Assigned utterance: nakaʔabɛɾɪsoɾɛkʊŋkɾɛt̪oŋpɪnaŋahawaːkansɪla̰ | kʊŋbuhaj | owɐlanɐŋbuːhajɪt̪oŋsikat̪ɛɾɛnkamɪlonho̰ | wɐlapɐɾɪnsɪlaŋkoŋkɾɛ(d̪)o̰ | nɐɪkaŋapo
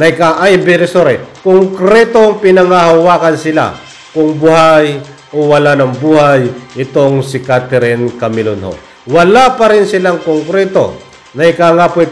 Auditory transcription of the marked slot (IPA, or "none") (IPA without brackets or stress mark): t̪